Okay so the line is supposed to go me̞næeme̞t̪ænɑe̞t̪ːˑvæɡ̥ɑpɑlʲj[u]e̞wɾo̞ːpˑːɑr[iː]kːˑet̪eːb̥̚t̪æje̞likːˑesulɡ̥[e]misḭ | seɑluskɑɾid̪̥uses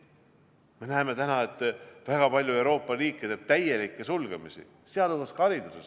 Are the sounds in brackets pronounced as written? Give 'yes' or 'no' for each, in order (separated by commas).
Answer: yes, yes, yes